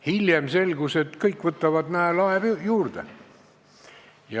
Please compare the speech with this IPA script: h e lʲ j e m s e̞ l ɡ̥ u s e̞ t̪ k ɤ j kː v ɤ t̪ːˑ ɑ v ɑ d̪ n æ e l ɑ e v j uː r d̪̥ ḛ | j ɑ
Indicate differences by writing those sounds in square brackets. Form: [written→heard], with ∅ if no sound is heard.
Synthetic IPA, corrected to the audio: h [e→i] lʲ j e m s e̞ l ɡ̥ u s e̞ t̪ k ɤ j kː v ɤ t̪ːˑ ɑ v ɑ d̪ n æ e l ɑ e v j uː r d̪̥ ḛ | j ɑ

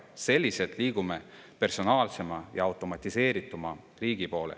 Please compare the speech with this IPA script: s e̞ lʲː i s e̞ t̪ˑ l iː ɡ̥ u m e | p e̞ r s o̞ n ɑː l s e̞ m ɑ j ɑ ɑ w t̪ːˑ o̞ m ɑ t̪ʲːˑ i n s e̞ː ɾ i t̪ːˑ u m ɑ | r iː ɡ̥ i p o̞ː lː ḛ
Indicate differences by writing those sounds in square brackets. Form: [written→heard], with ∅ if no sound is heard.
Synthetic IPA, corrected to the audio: s e̞ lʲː i s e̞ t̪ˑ l iː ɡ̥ u m e | p e̞ r s o̞ n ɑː l s e̞ m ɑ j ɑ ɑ w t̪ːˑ o̞ m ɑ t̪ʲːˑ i [n→∅] s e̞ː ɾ i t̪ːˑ u m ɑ | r iː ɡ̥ i p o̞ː [lː→l] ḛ

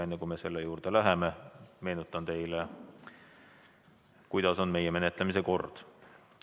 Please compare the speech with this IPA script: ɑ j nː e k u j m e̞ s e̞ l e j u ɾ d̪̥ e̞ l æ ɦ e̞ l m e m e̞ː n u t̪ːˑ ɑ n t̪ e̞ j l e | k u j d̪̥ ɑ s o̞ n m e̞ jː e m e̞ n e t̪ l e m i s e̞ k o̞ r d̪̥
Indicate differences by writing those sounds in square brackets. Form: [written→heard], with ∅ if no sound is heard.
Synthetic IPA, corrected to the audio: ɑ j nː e k u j m e̞ s e̞ [l→lː] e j [u→uː] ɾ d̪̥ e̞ l æ ɦ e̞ [l→∅] m e m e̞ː n u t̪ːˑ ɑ n t̪ e̞ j l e | k u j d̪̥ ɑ s o̞ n m e̞ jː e m e̞ n e t̪ l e m i s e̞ k o̞ r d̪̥

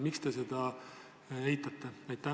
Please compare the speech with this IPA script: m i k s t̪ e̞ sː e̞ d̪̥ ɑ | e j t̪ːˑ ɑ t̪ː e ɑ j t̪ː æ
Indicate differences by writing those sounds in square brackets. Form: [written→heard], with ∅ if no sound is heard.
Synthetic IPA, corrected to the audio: m i k s t̪ e̞ [sː→s] e̞ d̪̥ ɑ | e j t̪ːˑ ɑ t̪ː e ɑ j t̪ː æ

